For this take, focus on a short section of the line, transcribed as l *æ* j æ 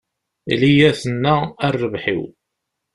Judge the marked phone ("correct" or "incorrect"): incorrect